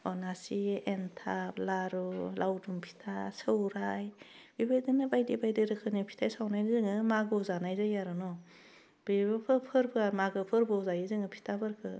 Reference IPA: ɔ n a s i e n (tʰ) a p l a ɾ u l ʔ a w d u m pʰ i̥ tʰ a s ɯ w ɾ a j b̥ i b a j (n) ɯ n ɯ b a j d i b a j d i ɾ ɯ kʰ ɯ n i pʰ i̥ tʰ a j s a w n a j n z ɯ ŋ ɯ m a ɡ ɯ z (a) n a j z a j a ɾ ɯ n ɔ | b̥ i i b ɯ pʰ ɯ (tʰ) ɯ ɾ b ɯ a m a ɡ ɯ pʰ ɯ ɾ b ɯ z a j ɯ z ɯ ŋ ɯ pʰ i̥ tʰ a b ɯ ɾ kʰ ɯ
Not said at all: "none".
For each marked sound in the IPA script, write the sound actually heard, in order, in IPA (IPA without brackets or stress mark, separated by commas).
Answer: tʰ, d, a, pʰ